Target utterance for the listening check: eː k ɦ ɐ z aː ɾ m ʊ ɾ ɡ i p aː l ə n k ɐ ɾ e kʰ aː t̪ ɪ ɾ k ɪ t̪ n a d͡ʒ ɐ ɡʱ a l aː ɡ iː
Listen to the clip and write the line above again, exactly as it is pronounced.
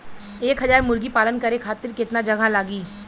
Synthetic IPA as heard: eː k ɦ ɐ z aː ɾ m ʊ ɾ ɡ i p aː l ə n k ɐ ɾ e kʰ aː t̪ ɪ ɾ k ɪ t̪ n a d͡ʒ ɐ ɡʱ a l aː ɡ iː